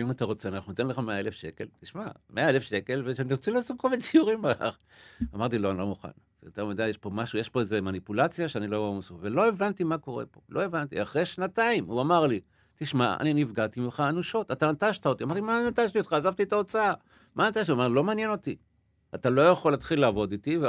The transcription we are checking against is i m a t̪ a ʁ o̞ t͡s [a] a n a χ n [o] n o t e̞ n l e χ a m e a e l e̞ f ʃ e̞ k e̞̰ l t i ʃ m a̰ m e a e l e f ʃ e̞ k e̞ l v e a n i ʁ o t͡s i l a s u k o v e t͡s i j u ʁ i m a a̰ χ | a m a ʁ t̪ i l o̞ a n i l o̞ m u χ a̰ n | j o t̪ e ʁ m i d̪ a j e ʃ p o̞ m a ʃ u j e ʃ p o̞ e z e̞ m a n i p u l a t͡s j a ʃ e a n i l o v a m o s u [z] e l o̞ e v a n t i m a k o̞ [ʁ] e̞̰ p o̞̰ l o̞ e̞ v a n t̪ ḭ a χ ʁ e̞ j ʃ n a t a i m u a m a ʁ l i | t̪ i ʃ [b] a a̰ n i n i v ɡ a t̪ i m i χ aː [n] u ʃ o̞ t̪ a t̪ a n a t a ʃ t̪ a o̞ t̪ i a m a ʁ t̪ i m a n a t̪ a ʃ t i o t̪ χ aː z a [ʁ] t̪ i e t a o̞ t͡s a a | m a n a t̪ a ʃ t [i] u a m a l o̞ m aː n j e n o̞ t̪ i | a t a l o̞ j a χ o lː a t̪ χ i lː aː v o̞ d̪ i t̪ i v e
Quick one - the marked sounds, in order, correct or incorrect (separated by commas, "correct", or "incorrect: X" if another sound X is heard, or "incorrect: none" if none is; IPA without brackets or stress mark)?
incorrect: e, incorrect: u, incorrect: v, correct, incorrect: m, correct, incorrect: v, correct